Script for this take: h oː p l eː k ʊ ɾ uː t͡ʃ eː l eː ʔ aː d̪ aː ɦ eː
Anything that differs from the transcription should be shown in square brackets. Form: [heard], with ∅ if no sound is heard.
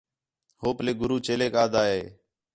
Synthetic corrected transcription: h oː p l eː [ɡ] ʊ ɾ uː t͡ʃ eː l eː [k] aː d̪ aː ɦ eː